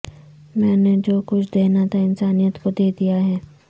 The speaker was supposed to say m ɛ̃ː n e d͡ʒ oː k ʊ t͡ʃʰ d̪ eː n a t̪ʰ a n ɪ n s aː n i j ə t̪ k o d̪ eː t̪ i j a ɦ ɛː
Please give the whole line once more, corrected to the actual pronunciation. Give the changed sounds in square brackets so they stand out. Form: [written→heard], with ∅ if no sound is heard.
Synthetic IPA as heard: m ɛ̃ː n e d͡ʒ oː k ʊ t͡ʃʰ d̪ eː n a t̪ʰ a [n→∅] ɪ n s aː n i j ə t̪ k o d̪ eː [t̪→d̪] i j a ɦ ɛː